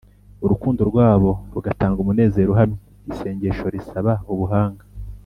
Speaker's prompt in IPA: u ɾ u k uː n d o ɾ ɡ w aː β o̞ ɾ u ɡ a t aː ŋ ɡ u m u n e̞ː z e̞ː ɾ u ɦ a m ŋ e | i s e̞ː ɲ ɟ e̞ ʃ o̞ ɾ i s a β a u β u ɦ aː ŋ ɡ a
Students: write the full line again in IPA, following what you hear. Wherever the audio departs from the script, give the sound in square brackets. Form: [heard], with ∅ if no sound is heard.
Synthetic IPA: u ɾ u k uː n d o ɾ ɡ w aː β o̞ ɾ u ɡ a t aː ŋ ɡ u m u n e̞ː z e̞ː ɾ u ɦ a m [ɲ] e | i s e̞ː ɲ ɟ e̞ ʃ o̞ ɾ i s a β a u β u ɦ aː ŋ ɡ a